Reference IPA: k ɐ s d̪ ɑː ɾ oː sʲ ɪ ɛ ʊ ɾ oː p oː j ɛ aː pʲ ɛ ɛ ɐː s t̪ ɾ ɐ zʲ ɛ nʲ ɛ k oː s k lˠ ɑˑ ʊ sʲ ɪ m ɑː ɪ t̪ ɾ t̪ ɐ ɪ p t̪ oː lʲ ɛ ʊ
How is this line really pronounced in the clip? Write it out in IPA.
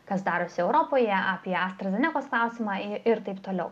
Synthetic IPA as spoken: k ɐ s d̪ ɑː ɾ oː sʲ ɪ ɛ ʊ ɾ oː p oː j ɛ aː pʲ i ɛ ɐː s t̪ ɾ ɐ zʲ ɛ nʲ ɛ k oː s k lˠ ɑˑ ʊ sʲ ɪ m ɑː ɪ ɾ t̪ ɐ ɪ p t̪ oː lʲ ɛ ʊ